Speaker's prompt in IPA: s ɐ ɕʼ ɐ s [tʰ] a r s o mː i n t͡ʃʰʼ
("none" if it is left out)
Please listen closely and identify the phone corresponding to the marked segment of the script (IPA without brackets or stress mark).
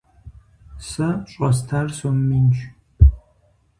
tʰ